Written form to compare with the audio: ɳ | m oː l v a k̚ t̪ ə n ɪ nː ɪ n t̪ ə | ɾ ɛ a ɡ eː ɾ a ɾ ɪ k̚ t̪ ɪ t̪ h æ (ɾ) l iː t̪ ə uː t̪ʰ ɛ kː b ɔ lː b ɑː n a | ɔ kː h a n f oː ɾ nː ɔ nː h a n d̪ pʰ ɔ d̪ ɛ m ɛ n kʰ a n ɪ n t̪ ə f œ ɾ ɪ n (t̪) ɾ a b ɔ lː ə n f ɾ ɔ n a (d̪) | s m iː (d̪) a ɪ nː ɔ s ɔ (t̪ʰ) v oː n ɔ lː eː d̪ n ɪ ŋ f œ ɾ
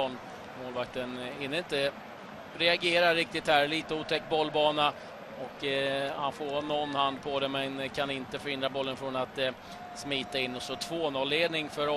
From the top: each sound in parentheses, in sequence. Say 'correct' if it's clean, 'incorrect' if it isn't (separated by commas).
correct, incorrect, incorrect, incorrect, correct